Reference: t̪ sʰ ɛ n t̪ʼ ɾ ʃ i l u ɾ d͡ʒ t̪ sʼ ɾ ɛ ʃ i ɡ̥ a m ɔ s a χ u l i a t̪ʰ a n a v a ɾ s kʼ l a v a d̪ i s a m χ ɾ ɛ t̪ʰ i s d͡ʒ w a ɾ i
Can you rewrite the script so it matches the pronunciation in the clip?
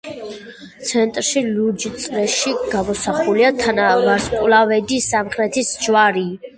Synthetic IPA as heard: t̪ sʰ ɛ n t̪ʼ ɾ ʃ i l u d͡ʒ t̪ sʼ ɾ ɛ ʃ i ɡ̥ a m ɔ s a χ u l i a t̪ʰ a n a v a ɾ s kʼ l a v ɛ d̪ i s a m χ ɾ ɛ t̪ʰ i s d͡ʒ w a ɾ i